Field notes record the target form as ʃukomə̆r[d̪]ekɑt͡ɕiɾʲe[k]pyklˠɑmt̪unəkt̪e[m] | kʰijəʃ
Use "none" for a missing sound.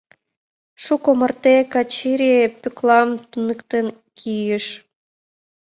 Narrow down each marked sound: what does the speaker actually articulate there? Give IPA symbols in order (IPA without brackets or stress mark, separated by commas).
t̪, none, n